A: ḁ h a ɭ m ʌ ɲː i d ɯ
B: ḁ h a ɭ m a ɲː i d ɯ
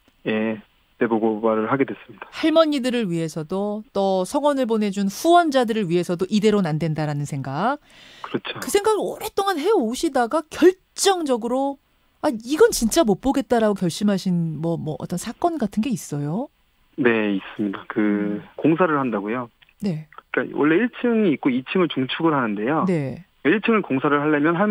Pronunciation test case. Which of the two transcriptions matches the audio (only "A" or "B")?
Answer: A